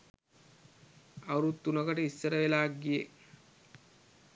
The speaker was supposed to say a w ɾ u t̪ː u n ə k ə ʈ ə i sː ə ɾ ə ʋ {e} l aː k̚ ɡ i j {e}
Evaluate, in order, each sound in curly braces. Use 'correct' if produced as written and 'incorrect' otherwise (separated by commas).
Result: correct, correct